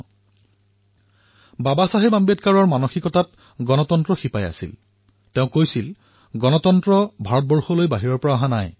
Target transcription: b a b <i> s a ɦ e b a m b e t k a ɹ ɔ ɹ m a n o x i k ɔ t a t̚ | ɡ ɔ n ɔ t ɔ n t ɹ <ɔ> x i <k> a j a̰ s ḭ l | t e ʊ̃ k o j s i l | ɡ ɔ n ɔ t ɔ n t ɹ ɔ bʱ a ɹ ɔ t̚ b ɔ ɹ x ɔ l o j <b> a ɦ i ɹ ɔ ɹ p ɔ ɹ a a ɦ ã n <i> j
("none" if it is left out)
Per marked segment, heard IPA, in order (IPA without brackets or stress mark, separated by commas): a, ɔ, p, b, a